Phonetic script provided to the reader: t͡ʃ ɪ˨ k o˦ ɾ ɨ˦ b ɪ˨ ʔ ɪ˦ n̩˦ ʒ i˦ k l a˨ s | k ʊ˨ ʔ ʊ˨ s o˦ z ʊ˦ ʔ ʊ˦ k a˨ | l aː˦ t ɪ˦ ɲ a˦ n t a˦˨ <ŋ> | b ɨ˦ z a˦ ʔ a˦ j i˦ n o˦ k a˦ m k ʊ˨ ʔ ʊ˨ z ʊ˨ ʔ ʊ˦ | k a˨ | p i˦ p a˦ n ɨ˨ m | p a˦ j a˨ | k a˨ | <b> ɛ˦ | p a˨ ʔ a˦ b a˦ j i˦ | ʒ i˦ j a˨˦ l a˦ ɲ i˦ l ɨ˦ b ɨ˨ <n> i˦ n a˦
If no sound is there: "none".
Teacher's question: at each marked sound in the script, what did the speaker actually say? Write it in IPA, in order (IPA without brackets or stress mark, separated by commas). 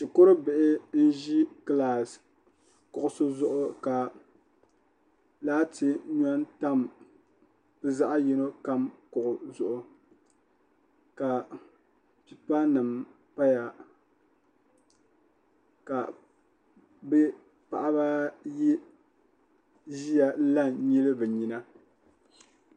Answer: m, b, ɲ